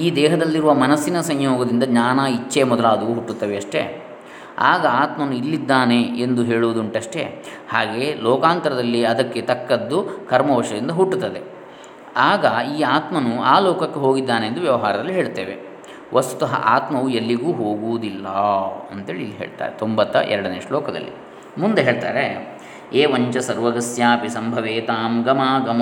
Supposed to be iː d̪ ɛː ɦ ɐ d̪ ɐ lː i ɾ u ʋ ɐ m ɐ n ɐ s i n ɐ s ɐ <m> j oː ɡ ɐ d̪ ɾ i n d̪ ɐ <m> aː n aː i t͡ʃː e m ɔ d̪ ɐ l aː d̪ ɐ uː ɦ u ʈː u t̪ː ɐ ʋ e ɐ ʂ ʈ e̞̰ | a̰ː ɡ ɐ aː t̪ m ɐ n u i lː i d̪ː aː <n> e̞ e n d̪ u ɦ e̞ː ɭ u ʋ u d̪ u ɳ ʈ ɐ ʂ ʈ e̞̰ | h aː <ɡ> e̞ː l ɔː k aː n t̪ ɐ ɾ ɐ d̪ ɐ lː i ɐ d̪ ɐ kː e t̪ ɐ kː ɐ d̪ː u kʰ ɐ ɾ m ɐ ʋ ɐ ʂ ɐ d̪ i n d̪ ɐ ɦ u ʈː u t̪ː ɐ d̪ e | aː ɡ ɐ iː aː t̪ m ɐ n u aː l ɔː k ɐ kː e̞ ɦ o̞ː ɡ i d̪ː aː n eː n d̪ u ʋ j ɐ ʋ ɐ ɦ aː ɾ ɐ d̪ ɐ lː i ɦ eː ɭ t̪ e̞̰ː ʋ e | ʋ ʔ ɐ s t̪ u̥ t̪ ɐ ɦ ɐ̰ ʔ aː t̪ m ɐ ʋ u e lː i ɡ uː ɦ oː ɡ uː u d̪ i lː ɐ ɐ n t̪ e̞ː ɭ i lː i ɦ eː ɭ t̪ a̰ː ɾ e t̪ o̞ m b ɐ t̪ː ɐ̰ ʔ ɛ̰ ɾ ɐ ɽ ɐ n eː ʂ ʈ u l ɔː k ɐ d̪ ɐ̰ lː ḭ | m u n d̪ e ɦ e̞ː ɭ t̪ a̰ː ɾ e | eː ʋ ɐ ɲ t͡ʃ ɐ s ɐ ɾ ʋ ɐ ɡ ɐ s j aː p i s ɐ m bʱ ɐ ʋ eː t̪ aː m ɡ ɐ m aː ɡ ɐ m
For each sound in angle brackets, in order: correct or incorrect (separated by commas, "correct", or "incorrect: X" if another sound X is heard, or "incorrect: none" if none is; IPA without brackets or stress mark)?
incorrect: ɲ, incorrect: ɲ, correct, correct